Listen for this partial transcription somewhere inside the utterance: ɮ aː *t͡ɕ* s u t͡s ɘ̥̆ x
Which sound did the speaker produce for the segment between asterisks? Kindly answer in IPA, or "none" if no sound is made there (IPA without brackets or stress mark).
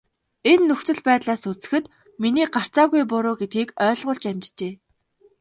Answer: none